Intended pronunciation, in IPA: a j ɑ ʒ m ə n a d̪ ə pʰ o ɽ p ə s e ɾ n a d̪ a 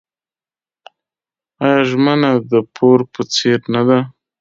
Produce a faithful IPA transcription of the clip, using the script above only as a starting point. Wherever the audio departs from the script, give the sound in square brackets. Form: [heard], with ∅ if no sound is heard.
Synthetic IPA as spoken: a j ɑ ʒ m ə n a d̪ ə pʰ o [ɾ] p ə [t͡s] e ɾ n a d̪ a